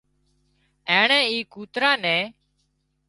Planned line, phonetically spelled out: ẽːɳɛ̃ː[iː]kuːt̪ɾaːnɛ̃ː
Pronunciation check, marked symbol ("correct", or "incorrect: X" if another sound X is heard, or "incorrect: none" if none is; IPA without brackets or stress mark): correct